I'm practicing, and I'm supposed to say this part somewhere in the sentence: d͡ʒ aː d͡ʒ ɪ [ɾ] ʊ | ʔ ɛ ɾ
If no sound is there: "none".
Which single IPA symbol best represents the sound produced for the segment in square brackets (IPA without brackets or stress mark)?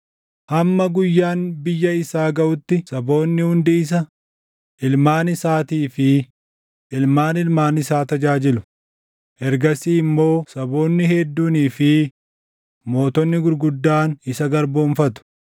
l